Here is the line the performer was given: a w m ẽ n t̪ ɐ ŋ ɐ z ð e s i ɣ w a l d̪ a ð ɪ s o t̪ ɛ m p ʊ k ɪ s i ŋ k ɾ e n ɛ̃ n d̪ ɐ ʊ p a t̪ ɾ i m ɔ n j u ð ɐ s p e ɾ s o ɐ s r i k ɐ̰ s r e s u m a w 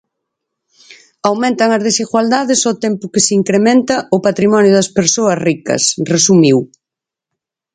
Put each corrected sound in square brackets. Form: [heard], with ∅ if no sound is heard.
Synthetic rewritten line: a w m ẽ n t̪ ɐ ŋ ɐ z ð e s i ɣ w a l d̪ a ð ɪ s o t̪ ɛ m p ʊ k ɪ s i ŋ k ɾ e [m] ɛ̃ n [t̪] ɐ ʊ p a t̪ ɾ i m ɔ n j [ʊ] ð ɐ s p e ɾ s o ɐ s r i k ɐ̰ s r e s u m [i] w

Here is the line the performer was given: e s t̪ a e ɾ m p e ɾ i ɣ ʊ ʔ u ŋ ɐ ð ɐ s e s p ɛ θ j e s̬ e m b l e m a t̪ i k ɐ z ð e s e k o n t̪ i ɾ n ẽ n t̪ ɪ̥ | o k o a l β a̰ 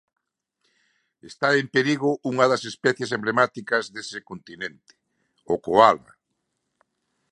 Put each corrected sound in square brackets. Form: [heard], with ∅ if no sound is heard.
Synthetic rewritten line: e s t̪ a e [∅] m p e ɾ i ɣ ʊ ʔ u ŋ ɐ ð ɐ s e s p ɛ θ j e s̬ e m b l e m a t̪ i k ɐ z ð e s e k o n t̪ i [∅] n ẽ n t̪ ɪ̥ | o k o a l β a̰

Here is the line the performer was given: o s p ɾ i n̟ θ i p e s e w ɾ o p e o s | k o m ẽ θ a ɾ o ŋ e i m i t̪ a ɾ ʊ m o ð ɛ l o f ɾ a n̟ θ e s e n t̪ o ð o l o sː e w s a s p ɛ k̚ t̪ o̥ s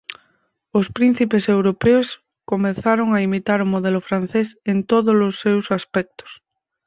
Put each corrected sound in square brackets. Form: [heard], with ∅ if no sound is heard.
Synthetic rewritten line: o s p ɾ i n̟ θ i p e s e w ɾ o p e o s | k o m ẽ θ a ɾ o ŋ [a] i m i t̪ a ɾ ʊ m o ð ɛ l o f ɾ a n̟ θ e s e n t̪ o ð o l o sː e w s a s p ɛ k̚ t̪ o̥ s

